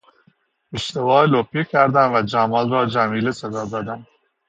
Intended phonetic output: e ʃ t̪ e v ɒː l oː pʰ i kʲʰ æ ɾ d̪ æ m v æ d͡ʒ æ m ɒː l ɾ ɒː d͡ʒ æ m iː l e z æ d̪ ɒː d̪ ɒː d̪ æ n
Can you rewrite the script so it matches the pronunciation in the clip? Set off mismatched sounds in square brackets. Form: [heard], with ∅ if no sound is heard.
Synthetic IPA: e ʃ t̪ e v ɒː l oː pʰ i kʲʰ æ ɾ d̪ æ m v æ d͡ʒ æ m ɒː l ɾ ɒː d͡ʒ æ m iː l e [s] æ d̪ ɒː d̪ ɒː d̪ æ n